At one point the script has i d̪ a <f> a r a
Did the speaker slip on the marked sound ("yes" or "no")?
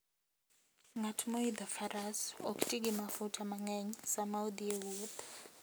no